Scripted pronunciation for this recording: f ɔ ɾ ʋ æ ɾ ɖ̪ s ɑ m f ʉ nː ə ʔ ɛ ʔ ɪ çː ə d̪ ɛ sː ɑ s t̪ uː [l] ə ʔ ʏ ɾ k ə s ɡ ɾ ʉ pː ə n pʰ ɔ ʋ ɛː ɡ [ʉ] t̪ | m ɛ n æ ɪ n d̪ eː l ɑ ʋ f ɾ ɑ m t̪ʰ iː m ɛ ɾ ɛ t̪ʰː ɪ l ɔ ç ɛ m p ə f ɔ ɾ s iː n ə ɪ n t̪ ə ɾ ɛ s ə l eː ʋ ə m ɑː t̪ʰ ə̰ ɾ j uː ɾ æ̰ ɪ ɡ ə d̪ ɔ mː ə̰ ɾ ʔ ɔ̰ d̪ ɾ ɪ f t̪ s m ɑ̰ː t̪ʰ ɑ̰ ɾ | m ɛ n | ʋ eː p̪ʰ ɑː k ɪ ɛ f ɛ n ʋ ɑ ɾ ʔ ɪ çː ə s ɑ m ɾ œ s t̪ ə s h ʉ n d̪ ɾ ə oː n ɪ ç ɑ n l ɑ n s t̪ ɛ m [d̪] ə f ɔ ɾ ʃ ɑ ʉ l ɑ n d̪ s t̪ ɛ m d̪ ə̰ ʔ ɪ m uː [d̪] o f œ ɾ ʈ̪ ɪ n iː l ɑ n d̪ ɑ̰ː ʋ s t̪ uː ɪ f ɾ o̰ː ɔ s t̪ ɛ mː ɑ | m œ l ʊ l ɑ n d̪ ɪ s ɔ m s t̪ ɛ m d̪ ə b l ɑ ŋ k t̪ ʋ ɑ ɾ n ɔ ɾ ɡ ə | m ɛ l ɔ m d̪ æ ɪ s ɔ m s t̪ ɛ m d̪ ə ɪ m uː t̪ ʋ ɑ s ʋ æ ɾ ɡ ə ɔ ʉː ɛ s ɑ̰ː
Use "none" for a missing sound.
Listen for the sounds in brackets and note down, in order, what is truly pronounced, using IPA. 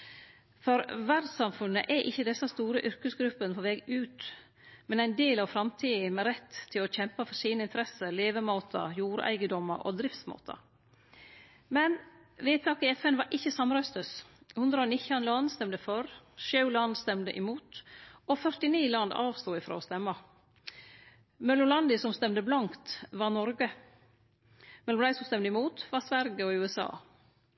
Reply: ɾ, ʉː, d̪, t̪

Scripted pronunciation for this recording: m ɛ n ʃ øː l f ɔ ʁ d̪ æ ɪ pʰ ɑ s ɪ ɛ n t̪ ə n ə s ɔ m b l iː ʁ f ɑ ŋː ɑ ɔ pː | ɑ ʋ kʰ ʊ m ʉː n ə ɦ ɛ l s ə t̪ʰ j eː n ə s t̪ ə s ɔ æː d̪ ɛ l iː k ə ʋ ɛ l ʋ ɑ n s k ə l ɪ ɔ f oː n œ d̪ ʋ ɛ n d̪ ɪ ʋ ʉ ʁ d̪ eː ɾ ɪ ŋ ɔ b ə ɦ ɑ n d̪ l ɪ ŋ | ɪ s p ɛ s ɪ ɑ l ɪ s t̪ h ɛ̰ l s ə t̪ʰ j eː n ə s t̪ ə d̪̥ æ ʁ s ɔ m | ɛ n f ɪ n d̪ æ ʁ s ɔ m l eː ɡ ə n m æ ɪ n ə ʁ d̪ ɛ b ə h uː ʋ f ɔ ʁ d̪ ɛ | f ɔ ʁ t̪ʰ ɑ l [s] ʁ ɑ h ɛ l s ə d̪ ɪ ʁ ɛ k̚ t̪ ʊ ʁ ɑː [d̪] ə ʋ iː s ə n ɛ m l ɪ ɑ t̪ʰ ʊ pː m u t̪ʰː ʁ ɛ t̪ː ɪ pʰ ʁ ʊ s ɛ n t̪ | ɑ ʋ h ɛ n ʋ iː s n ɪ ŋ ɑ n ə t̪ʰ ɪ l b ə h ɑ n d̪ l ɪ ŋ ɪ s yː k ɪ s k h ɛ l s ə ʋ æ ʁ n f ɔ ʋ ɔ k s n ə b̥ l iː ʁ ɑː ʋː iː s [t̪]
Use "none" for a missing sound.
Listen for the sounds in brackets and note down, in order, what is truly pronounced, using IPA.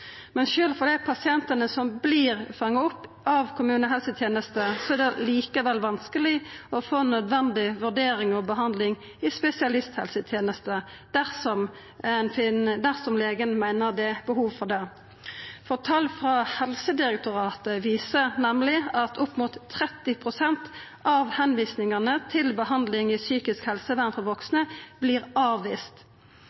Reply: f, t̪, t̪

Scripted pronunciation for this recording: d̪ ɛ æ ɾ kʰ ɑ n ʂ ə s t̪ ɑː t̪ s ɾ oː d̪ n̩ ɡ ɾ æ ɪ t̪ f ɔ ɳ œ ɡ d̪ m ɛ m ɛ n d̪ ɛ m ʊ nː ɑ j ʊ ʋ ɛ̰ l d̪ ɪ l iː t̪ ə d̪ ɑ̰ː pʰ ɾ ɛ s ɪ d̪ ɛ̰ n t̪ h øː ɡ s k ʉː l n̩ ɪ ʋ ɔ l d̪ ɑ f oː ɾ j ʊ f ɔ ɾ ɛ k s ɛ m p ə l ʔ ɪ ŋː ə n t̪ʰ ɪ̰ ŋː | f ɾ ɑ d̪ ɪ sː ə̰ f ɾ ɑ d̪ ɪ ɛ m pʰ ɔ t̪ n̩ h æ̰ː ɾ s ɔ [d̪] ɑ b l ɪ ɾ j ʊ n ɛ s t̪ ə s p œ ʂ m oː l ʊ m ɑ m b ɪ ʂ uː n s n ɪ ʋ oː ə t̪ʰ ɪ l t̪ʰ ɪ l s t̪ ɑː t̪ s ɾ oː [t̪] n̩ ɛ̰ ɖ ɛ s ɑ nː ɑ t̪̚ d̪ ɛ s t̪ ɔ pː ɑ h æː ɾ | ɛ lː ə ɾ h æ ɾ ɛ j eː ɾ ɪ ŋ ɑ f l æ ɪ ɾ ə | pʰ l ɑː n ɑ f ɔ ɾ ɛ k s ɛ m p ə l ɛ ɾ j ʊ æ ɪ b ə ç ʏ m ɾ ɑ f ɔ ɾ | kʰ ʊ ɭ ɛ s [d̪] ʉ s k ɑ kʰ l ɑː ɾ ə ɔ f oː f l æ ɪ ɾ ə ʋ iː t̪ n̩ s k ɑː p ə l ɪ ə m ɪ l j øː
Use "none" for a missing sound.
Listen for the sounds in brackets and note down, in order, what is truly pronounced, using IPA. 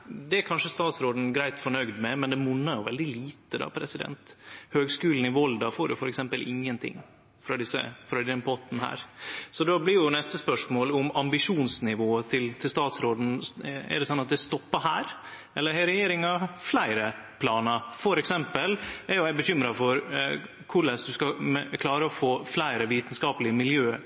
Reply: d̪, d̪, d̪

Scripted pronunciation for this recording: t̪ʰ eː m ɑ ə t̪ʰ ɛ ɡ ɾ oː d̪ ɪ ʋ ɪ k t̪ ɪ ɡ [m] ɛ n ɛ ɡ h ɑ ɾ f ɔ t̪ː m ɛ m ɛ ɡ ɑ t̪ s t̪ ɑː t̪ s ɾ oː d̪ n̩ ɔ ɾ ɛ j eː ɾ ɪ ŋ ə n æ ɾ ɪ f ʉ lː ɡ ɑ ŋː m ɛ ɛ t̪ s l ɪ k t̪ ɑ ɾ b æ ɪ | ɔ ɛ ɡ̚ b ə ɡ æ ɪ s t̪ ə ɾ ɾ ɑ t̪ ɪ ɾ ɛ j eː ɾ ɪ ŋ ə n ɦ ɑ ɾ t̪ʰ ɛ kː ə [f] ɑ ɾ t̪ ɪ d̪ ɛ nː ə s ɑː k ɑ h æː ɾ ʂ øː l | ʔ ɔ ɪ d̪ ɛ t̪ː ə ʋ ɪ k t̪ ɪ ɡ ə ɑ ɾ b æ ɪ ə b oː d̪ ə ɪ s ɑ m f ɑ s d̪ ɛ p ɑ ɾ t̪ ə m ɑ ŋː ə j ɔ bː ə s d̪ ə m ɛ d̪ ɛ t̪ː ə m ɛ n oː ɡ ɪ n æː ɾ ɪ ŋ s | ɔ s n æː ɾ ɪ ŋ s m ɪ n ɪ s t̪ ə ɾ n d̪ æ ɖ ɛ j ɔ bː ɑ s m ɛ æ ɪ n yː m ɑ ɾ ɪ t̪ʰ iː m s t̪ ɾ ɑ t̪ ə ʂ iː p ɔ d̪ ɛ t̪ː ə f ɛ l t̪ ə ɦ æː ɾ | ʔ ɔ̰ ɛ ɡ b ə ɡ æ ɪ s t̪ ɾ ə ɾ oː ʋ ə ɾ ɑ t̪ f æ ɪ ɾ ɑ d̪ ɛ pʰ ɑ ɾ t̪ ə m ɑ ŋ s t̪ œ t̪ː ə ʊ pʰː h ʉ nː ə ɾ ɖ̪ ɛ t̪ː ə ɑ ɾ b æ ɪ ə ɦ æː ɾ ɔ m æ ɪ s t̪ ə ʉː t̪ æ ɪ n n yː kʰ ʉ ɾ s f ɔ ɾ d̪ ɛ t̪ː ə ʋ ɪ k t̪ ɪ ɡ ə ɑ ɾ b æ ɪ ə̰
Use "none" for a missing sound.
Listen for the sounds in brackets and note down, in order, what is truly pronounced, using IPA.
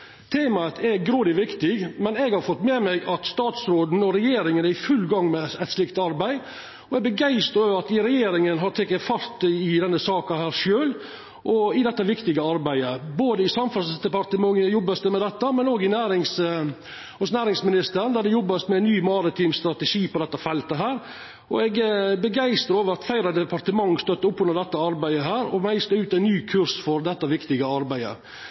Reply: m, f

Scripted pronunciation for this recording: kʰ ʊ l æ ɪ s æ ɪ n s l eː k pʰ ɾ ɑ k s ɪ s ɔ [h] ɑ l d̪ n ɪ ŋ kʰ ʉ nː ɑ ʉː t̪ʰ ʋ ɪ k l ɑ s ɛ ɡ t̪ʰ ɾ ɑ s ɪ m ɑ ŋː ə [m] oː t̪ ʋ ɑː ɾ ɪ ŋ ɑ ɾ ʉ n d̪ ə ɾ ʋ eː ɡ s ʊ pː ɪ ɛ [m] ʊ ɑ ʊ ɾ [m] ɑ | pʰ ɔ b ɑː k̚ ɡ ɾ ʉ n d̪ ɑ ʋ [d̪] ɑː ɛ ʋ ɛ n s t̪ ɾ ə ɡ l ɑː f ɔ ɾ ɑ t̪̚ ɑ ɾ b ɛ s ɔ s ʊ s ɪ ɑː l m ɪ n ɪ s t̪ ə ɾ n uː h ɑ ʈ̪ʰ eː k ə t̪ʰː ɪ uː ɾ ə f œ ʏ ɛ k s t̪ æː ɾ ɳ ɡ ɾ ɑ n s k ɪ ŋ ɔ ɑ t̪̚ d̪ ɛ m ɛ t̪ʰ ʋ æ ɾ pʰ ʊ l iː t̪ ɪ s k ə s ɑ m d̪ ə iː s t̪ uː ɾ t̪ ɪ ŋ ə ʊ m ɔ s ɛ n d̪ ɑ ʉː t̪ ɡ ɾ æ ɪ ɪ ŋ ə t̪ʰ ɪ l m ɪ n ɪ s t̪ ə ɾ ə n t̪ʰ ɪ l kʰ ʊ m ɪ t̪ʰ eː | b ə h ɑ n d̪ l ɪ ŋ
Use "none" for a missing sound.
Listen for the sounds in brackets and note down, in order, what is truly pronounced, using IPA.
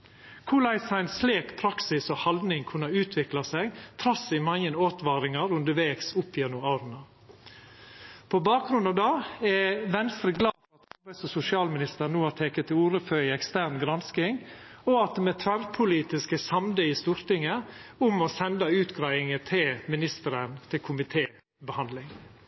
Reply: h, n, n, n, d̪

